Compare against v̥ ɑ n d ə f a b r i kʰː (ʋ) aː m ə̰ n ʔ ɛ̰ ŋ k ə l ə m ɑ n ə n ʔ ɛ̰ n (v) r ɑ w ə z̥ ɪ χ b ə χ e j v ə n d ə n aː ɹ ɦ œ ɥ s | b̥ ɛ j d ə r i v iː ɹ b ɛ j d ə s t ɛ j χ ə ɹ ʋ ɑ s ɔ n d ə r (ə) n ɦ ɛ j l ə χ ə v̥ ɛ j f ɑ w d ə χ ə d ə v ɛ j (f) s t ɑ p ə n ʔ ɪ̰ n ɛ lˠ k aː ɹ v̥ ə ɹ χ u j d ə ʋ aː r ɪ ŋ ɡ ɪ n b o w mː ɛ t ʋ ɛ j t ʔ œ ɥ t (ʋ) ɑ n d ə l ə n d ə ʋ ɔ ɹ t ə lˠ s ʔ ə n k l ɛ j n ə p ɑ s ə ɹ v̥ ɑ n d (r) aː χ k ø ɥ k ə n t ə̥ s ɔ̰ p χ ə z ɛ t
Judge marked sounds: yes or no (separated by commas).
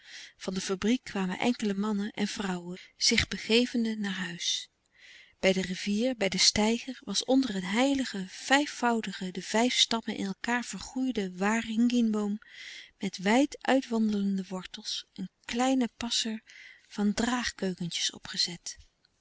yes, yes, yes, yes, yes, yes